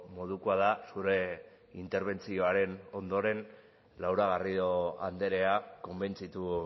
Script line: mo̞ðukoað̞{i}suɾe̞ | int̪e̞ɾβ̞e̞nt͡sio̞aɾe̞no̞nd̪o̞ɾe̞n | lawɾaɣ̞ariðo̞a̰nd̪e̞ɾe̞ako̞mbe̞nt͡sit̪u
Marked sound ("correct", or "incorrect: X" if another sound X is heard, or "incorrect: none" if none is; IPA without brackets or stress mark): incorrect: a